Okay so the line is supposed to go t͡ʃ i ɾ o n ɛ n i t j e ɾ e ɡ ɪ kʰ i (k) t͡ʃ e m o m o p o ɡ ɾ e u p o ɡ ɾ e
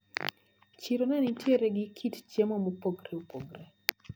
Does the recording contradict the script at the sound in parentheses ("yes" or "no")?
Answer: yes